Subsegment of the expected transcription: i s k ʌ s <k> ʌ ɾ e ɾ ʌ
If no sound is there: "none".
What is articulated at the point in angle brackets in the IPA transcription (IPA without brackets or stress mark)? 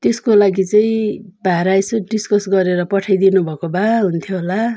ɡ